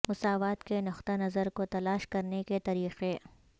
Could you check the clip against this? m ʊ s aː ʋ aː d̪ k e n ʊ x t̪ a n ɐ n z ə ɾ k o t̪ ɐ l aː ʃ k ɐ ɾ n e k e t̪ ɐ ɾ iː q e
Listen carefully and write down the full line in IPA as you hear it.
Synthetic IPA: m ʊ s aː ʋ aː t̪ k e n ʊ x t̪ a n ɐ z ə ɾ k o t̪ ɐ l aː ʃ k ɐ ɾ n e k e t̪ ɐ ɾ iː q e